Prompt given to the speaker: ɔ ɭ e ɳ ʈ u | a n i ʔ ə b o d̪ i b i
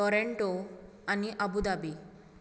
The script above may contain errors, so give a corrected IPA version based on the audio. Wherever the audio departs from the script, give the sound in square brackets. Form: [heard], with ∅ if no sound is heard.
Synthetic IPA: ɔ [ɾ] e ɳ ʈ [o] | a n i ʔ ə b [u] d̪ [a] b i

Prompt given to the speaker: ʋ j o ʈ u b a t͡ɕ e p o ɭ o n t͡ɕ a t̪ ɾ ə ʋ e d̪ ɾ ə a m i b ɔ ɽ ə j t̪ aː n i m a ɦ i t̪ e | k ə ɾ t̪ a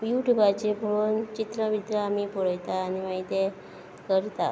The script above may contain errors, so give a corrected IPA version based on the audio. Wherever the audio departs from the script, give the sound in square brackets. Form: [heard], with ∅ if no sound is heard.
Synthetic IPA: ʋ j [u] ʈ u b a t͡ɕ e p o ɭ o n t͡ɕ [i] t̪ ɾ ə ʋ [i] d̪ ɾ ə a m i [p] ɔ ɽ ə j t̪ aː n i m a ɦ i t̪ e | k ə ɾ t̪ a

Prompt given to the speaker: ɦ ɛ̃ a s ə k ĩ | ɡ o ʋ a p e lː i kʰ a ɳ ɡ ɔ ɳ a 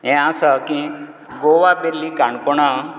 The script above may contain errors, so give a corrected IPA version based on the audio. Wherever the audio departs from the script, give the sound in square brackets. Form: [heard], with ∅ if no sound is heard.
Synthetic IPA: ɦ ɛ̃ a s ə k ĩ | ɡ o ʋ a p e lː i [k] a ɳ [k] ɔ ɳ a

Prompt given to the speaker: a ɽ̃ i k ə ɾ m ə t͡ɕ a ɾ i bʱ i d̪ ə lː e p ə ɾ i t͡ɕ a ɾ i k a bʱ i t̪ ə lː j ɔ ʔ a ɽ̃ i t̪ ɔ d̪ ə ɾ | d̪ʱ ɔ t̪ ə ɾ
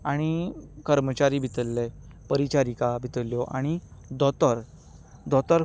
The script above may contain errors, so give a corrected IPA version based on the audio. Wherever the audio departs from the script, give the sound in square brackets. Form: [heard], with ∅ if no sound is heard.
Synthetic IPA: a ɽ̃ i k ə ɾ m ə t͡ɕ a ɾ i bʱ i [t̪] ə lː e p ə ɾ i t͡ɕ a ɾ i k a bʱ i t̪ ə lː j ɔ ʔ a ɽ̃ i [d̪] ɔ [t̪] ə ɾ | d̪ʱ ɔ t̪ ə ɾ

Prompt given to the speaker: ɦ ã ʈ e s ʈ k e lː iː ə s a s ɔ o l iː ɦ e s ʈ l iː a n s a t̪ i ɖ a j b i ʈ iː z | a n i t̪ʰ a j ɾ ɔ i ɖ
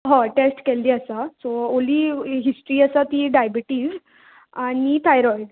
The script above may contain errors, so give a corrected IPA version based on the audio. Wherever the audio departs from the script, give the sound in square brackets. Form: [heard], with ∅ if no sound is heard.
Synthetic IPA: ɦ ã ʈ e s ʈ k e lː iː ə s a s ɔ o l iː ɦ [i] s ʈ [ɾ] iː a [∅] s a t̪ i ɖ a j b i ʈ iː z | a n i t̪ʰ a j ɾ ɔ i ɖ

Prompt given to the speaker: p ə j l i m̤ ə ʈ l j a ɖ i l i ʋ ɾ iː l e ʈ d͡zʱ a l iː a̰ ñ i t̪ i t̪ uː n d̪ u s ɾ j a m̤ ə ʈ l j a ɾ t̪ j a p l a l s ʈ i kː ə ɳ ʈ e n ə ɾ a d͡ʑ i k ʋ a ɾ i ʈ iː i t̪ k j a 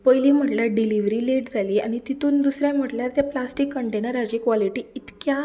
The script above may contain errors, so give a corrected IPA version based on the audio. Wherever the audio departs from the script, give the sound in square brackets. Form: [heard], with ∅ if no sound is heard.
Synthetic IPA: p ə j l i m̤ ə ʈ l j a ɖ i l i ʋ ɾ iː l e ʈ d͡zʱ a l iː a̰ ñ i t̪ i t̪ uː n d̪ u s ɾ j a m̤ ə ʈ l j a ɾ t̪ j a p l a [∅] s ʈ i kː ə ɳ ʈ e n ə ɾ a d͡ʑ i k ʋ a [l] i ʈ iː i t̪ k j a

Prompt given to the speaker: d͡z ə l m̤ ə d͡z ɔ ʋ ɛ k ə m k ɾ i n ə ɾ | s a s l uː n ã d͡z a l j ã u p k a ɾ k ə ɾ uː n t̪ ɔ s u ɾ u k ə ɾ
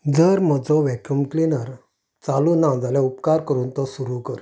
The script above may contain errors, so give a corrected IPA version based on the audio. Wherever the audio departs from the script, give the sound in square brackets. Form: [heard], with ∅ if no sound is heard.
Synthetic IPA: d͡z ə [ɾ] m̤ ə d͡z ɔ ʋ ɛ k ə m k [l] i n ə ɾ | [t͡s] a [∅] l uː n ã d͡z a l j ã u p k a ɾ k ə ɾ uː n t̪ ɔ s u ɾ u k ə ɾ

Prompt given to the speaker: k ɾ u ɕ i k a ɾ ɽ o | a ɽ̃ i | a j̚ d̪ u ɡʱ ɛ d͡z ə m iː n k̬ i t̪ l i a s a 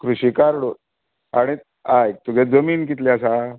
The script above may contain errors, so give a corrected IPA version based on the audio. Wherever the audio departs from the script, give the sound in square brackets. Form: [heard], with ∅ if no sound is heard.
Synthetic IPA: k ɾ u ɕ i k a ɾ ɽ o | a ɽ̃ i | a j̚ [t̪] u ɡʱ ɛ d͡z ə m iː n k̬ i t̪ l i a s a

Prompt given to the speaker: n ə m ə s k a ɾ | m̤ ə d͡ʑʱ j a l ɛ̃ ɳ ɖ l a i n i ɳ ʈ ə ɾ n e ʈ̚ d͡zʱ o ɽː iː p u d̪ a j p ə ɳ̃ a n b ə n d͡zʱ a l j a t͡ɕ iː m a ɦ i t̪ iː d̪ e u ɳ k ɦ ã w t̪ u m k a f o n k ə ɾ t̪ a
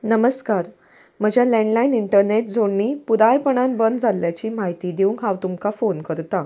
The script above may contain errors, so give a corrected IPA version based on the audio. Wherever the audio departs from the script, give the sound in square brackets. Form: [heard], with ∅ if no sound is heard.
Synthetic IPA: n ə m ə s k a ɾ | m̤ ə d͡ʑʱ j a l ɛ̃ ɳ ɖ l a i n i ɳ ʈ ə ɾ n e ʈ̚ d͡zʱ o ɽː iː p u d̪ a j p ə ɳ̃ a n b ə n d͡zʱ a l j a t͡ɕ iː m a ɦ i t̪ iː d̪ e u [ŋ] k ɦ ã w t̪ u m k a f o n k ə ɾ t̪ a

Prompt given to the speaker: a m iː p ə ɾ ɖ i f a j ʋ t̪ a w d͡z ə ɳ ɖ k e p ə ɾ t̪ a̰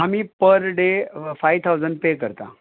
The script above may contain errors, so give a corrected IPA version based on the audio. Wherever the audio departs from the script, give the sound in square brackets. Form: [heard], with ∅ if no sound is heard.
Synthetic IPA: a m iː p ə ɾ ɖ [e] f a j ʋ [t̪ʰ] a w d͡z ə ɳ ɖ [p] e [k] ə ɾ t̪ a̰

